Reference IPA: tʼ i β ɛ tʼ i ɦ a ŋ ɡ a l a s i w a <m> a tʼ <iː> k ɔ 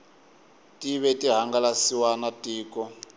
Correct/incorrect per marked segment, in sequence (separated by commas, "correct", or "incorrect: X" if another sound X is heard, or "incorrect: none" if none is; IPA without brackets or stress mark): incorrect: n, correct